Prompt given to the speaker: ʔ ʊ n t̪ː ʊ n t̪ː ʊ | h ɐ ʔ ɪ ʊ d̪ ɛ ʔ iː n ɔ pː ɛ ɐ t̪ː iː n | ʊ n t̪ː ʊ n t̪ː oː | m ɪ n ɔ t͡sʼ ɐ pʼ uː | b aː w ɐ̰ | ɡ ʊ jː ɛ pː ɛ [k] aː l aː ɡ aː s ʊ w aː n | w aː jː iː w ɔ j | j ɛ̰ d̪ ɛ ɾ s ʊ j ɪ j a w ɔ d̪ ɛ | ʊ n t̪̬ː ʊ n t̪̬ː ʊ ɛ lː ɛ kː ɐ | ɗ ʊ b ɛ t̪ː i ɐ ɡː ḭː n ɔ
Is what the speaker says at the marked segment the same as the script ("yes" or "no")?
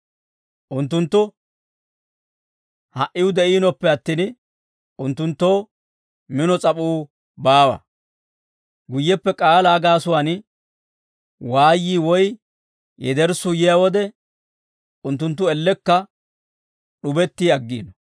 no